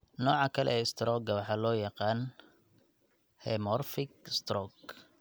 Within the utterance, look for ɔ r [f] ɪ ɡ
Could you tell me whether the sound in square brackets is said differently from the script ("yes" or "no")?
no